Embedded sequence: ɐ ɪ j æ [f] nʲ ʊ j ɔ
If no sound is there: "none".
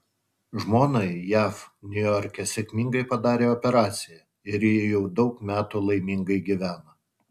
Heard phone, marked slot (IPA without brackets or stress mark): f